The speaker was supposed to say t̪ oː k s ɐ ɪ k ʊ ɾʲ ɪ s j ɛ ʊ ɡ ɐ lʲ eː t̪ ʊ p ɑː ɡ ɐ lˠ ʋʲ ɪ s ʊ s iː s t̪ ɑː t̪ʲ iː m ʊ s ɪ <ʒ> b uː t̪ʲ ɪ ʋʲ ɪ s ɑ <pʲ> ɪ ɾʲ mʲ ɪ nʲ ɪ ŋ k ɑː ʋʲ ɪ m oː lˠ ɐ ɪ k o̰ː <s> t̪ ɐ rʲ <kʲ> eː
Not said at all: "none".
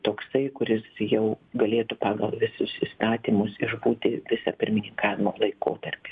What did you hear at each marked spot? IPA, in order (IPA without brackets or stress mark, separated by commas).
ʒ, pʲ, none, pʲ